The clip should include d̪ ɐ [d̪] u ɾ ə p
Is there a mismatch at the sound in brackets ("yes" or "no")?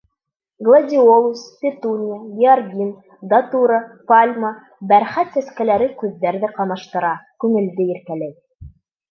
yes